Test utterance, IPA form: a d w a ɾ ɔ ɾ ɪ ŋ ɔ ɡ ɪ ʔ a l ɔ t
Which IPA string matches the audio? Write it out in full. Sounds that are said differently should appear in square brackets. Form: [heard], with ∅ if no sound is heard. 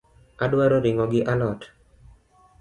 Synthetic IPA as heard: a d w a ɾ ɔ ɾ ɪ ŋ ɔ ɡ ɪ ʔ a l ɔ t